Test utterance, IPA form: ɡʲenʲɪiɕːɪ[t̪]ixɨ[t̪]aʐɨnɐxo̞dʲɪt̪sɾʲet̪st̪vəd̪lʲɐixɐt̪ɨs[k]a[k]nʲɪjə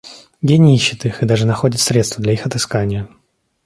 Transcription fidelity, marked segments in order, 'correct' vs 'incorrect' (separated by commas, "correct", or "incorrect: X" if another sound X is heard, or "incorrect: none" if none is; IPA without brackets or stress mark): correct, incorrect: d̪, correct, incorrect: none